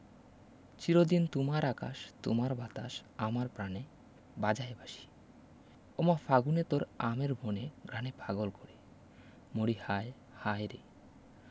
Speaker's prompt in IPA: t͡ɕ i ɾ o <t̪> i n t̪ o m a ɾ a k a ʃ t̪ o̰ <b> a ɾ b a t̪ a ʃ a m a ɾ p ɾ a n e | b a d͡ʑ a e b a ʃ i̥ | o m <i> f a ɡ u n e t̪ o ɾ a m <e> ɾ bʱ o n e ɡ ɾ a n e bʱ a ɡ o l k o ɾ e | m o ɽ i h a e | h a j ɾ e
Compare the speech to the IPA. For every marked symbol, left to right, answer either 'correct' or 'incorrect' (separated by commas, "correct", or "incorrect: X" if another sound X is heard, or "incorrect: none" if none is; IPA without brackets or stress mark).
incorrect: d̪, incorrect: m, incorrect: a, correct